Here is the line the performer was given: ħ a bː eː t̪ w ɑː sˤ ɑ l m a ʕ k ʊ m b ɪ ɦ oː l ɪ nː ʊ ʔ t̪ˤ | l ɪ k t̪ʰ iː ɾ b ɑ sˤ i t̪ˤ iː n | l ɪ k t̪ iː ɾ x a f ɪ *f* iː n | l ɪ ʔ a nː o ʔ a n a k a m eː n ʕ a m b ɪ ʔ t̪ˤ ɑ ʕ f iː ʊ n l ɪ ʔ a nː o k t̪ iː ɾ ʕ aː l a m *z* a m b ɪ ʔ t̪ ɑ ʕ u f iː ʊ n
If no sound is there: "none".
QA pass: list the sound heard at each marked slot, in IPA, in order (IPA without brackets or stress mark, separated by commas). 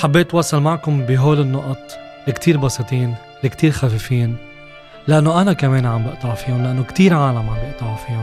f, ʕ